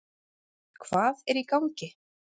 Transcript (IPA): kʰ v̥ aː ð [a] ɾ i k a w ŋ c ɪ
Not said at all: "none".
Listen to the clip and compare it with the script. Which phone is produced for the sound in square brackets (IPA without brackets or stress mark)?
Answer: ɛ